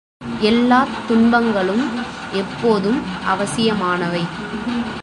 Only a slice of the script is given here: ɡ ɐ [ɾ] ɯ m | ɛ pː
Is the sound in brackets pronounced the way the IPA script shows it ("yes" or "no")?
no